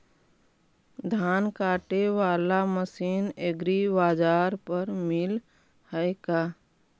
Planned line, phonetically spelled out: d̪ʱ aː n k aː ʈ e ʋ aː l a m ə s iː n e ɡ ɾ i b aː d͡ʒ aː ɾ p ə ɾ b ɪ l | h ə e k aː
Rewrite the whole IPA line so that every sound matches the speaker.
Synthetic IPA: d̪ʱ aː n k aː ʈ e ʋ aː l a m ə s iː n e ɡ ɾ i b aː d͡ʒ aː ɾ p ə ɾ m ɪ l | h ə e k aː